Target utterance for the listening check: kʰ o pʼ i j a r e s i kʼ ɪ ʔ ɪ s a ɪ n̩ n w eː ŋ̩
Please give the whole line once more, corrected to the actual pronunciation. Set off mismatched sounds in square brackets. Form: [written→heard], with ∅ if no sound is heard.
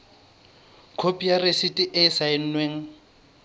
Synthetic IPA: kʰ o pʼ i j a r e s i [kʼ→tʼ] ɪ ʔ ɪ s a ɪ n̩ n w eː ŋ̩